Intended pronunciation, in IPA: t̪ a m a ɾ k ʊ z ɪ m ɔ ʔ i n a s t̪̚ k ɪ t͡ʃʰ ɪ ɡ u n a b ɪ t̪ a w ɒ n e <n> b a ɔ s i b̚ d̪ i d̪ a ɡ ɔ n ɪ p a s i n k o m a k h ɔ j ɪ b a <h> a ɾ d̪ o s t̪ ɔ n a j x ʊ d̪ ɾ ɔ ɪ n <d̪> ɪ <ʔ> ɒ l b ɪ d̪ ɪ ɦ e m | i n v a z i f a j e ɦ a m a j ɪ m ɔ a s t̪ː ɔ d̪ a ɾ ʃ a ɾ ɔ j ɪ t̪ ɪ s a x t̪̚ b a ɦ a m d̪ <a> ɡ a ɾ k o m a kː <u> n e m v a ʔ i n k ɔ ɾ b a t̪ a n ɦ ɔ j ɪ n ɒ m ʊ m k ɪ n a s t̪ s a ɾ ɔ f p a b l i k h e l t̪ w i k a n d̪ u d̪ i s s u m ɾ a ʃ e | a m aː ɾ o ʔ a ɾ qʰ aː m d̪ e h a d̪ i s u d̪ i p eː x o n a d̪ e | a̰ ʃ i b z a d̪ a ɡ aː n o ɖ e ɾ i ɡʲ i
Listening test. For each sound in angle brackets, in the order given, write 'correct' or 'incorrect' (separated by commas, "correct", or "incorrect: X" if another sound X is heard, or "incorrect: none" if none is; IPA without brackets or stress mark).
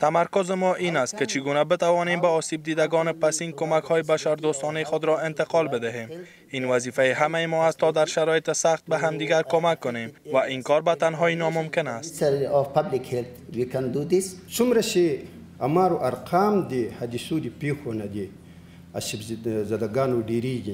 incorrect: m, incorrect: ʃ, incorrect: t̪, incorrect: q, incorrect: i, incorrect: ʊ